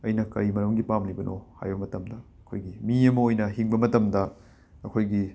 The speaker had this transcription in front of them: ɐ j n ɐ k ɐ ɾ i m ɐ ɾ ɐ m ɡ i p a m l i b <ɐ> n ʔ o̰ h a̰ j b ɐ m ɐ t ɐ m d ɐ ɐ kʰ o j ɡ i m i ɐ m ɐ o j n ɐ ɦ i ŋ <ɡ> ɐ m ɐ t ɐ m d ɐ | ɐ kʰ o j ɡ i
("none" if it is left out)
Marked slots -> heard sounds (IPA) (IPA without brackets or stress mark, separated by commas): ɐ, b